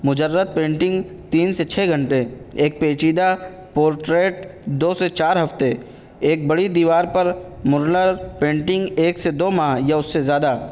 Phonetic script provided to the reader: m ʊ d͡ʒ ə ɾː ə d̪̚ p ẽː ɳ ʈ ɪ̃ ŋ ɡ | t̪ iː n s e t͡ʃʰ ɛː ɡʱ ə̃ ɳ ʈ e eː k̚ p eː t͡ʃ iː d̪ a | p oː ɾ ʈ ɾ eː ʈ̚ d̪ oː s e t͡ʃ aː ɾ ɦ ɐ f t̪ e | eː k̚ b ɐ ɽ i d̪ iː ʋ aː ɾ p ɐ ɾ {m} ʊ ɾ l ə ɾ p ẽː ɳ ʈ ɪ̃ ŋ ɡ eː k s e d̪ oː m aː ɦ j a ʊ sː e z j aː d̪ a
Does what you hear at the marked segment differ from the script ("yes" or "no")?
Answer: no